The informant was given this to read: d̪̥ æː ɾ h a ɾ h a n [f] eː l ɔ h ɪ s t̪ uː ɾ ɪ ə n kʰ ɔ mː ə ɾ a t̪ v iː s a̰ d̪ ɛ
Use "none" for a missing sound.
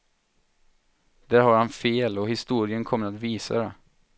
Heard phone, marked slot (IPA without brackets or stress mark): f